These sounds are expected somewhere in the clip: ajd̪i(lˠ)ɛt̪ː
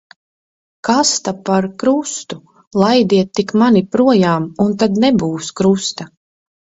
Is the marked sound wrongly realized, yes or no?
yes